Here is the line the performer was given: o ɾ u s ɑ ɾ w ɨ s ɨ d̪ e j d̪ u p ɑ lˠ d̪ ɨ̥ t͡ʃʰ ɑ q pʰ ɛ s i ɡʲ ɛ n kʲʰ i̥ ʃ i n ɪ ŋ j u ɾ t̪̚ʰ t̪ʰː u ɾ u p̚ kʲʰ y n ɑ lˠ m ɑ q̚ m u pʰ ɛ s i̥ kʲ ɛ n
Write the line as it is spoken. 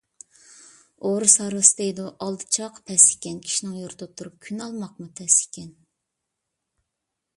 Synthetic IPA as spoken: o ɾ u s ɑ ɾ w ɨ s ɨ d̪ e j d̪ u ʔ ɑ lˠ d̪ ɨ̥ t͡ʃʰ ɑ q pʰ ɛ s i kʲ ɛ n kʲʰ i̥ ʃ i n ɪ ŋ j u ɾ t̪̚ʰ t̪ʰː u ɾ u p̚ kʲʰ y n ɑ lˠ m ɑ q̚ m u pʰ ɛ s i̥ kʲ ɛ n

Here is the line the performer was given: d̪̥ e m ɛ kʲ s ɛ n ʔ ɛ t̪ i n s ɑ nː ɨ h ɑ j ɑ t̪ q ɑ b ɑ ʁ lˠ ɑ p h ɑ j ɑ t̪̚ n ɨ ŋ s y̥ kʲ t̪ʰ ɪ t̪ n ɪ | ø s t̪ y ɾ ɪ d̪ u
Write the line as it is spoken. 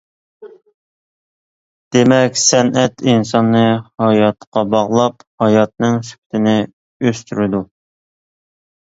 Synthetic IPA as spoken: d̪̥ e m ɛ kʲ s ɛ n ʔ ɛ t̪ i n s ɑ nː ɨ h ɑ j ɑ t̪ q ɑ b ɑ ʁ lˠ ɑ p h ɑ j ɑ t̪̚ n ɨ ŋ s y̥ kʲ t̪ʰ ɪ n ɪ | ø s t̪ y ɾ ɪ d̪ u

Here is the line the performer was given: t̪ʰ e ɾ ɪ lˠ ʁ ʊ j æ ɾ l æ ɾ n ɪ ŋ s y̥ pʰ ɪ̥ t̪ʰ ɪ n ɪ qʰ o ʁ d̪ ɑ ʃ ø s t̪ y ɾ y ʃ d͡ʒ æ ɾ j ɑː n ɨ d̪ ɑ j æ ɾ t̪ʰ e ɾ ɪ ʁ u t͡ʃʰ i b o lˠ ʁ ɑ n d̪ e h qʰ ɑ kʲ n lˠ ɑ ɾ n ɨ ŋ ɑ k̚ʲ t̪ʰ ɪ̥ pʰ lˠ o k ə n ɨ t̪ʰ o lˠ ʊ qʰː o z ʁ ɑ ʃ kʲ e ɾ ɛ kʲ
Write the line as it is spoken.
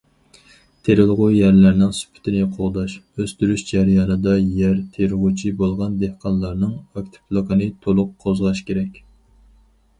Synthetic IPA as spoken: t̪ʰ e ɾ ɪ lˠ ʁ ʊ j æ ɾ l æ ɾ n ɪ ŋ s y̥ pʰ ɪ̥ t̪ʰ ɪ n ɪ qʰ o ʁ d̪ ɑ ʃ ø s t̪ y ɾ y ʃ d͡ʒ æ ɾ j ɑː n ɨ d̪ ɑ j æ ɾ t̪ʰ e ɾ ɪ ʁ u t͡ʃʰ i b o lˠ ʁ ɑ n d̪ e h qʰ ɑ n lˠ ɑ ɾ n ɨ ŋ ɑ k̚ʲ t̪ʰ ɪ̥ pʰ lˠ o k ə n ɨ t̪ʰ o lˠ ʊ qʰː o z ʁ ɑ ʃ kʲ e ɾ ɛ kʲ

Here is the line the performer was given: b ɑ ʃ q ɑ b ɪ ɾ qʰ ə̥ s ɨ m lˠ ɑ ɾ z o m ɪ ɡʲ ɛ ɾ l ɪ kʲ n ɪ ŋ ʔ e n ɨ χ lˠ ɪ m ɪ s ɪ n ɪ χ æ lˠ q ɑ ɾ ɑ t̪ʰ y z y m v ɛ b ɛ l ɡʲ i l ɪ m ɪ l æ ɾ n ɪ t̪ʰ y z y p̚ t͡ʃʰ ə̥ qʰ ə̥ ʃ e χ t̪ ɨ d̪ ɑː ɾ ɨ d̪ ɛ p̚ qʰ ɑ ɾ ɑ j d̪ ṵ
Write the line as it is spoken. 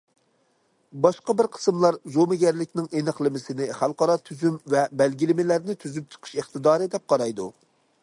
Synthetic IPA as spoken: b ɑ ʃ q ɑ b ɪ ɾ qʰ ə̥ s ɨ m lˠ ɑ ɾ z o m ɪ ɡʲ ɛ ɾ l ɪ kʲ n ɪ ŋ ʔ e n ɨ χ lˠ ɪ m ɪ s ɪ n ɪ χ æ lˠ q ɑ ɾ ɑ t̪ʰ y z y m v ɛ b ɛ l ɡʲ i l ɪ m ɪ l æ ɾ n ɪ t̪ʰ y z y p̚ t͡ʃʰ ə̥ qʰ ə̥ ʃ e χ t̪ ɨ d̪ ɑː ɾ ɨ d̪ ɛ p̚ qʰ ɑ ɾ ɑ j d̪ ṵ

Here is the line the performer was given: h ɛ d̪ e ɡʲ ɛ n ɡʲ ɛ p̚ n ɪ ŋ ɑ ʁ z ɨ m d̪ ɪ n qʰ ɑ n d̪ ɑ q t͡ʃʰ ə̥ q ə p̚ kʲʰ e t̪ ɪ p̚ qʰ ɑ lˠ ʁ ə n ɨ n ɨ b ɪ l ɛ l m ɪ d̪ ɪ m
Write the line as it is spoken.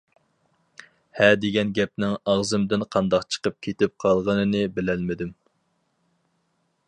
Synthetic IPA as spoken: h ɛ d̪ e ɡʲ ɛ n ɡʲ ɛ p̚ n ɪ ŋ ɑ ʁ z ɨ m d̪ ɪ n qʰ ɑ n d̪ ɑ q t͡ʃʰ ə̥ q ə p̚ kʲʰ e t̪ ɪ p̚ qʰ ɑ lˠ ʁ ə n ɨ n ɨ b ɪ l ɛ l m ɪ d̪ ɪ m

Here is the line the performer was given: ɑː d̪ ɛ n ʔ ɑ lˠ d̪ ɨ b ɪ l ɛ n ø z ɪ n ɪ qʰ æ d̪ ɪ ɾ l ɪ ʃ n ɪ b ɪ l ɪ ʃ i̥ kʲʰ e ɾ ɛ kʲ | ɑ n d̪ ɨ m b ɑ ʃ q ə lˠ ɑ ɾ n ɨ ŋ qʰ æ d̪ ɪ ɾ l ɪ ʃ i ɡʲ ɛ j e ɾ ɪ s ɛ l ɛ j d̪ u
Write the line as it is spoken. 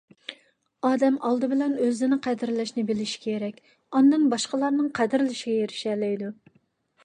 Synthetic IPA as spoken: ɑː d̪ ɛ m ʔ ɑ lˠ d̪ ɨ b ɪ l ɛ n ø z ɪ n ɪ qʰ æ d̪ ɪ ɾ l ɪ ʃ n ɪ b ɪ l ɪ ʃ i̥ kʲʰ e ɾ ɛ kʲ | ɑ n d̪ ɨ n b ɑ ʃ q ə lˠ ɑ ɾ n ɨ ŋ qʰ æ d̪ ɪ ɾ l ɪ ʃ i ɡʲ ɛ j e ɾ ɪ ʃ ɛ l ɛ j d̪ u

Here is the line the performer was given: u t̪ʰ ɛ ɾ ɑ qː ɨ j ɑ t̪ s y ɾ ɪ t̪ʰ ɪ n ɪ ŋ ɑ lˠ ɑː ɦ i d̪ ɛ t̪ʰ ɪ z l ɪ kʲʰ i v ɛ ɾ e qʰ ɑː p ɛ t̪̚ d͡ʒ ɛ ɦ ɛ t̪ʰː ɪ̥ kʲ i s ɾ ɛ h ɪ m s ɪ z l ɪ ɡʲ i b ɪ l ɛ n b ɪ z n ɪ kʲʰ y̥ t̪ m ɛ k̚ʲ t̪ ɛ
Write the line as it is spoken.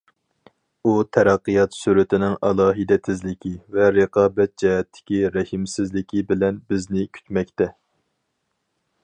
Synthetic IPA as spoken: u t̪ʰ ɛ ɾ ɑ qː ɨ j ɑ t̪ s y ɾ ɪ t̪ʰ ɪ n ɪ ŋ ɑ lˠ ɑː ɦ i d̪ ɛ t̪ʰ ɪ z l ɪ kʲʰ i v ɛ ɾ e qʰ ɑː b ɛ t̪̚ d͡ʒ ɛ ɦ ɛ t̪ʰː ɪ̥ kʲ i ɾ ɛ h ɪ m s ɪ z l ɪ kʲ i b ɪ l ɛ n b ɪ z n ɪ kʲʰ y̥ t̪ m ɛ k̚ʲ t̪ ɛ

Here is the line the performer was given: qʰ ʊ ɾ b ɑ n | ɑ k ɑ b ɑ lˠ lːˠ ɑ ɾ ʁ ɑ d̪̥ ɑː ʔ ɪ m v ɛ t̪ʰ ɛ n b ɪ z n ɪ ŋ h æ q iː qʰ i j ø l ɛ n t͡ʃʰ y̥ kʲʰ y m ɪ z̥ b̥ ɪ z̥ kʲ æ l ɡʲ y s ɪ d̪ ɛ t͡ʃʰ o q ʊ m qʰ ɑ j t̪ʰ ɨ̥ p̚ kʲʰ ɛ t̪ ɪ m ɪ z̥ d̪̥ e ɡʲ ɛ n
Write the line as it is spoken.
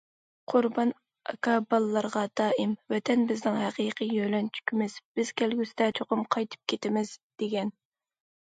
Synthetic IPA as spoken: qʰ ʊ ɾ b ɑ n | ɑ k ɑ b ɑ lˠ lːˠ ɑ ɾ ʁ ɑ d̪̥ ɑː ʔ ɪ m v ɛ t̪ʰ ɛ n b ɪ z n ɪ ŋ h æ q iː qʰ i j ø l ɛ n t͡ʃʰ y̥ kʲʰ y m ɪ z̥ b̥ ɪ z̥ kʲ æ l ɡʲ y s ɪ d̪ ɛ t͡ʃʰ o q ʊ m qʰ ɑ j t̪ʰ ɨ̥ p̚ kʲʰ e t̪ ɪ m ɪ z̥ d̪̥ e ɡʲ ɛ n

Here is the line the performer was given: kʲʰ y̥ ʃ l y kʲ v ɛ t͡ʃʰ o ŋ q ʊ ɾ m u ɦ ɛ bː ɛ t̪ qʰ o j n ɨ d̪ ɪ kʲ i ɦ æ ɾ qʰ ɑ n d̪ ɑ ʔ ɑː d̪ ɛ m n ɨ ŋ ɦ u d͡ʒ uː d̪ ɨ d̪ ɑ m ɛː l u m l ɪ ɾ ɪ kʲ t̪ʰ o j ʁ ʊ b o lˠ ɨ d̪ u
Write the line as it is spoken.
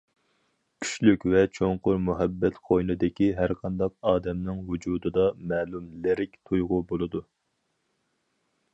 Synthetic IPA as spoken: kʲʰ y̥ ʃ l y kʲ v ɛ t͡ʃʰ o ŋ q ʊ ɾ m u ɦ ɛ bː ɛ t̪ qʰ o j n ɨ d̪ ɪ kʲ i ɦ æ ɾ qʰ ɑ n d̪ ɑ q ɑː d̪ ɛ m n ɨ ŋ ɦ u d͡ʒ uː d̪ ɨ d̪ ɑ m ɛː l u m l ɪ ɾ ɪ kʲ t̪ʰ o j ʁ ʊ b o lˠ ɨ d̪ u

